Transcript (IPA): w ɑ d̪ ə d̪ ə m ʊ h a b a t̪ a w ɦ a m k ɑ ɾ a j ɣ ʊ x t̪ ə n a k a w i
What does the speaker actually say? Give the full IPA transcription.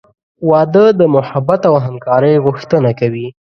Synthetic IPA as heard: w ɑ d̪ ə d̪ ə m ʊ h a b a t̪ a w ɦ a m k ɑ ɾ ə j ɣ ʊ x t̪ ə n a k a w i